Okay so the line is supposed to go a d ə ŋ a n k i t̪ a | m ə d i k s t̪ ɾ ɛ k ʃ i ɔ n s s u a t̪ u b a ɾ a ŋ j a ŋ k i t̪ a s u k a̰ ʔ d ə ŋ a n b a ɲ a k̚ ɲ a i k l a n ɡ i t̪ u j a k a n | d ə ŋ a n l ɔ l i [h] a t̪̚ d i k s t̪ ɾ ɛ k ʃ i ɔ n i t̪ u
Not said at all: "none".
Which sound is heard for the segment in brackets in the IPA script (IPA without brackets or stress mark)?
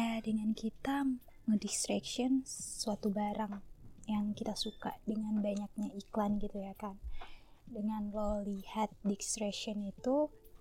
h